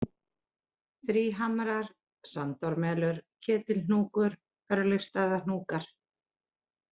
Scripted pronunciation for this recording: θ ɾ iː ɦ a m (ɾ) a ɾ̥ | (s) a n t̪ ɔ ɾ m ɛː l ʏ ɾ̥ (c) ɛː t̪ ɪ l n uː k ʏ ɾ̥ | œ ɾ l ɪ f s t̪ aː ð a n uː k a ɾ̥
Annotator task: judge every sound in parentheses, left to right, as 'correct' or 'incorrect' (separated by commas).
correct, correct, incorrect